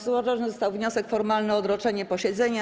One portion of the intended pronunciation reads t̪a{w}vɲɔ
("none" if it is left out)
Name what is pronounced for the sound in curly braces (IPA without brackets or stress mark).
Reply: w